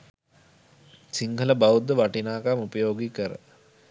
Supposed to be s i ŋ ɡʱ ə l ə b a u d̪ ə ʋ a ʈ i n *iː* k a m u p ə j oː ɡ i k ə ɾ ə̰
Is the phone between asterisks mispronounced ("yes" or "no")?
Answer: yes